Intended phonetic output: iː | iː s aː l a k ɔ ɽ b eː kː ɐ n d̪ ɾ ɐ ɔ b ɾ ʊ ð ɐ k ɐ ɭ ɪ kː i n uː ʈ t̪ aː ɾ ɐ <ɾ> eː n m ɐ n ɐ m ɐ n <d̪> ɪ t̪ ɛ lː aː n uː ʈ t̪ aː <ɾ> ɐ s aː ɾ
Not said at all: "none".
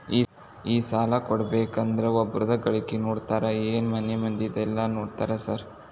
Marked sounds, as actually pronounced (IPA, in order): none, d̪, ɾ

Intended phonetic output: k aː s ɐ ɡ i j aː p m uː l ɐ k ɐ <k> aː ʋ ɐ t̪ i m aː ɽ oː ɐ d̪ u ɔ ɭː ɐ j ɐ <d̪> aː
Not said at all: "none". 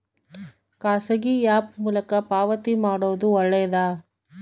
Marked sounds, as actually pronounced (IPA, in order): p, d̪

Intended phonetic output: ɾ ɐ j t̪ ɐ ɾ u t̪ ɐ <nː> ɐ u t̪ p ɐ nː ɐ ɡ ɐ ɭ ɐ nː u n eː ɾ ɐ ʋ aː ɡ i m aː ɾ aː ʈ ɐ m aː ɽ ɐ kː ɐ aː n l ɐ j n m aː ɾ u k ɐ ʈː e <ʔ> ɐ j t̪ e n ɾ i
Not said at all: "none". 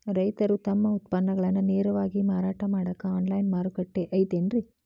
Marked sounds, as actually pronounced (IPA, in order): mː, ʔ

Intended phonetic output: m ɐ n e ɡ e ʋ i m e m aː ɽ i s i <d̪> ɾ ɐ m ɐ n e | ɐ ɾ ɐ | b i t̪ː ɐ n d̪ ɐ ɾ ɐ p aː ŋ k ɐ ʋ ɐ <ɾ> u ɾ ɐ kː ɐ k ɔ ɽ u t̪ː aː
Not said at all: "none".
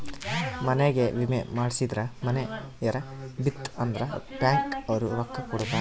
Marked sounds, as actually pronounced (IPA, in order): d̪, ɾ

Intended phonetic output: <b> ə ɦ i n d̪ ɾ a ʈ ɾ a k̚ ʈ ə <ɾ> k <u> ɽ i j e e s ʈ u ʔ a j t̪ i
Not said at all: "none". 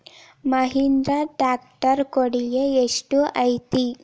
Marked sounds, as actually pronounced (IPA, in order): m, ɾ, o

